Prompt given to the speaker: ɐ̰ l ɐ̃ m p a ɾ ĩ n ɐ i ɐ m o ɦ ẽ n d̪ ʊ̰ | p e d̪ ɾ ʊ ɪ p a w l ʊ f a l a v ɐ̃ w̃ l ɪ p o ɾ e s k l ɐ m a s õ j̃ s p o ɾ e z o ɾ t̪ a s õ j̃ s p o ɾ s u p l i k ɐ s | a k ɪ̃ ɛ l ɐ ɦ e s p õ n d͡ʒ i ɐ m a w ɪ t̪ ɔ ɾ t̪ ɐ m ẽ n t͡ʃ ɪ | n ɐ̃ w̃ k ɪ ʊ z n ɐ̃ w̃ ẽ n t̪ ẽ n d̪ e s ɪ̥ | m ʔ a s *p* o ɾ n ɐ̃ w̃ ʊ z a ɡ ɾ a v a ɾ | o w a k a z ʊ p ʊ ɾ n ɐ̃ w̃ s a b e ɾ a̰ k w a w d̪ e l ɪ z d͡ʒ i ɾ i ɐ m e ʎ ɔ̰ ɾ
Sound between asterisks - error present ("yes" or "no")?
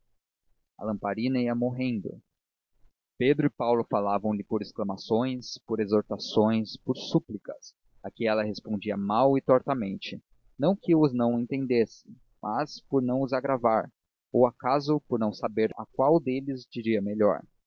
no